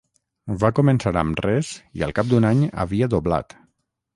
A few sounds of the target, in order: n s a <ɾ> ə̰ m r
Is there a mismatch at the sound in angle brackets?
no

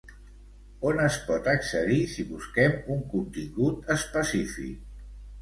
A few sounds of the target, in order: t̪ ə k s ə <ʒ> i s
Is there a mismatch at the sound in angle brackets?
yes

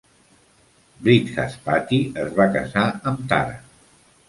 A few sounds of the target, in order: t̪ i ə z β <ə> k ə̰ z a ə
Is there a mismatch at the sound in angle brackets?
yes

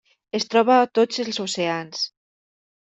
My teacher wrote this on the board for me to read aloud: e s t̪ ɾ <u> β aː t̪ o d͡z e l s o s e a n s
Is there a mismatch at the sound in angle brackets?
yes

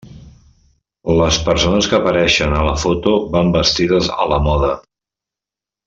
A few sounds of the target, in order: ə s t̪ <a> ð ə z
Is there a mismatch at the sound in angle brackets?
yes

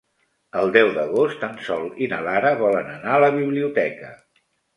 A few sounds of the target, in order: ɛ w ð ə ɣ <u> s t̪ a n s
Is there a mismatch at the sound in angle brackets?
yes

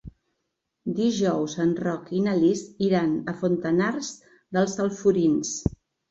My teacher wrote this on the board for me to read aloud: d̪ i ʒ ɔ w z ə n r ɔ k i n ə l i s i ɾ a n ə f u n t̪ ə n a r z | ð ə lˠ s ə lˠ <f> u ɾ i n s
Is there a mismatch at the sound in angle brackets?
no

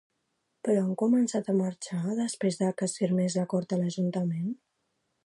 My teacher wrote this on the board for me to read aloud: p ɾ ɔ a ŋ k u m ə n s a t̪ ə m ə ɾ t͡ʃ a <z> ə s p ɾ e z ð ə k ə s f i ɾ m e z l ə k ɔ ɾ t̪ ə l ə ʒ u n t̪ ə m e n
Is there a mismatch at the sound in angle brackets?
yes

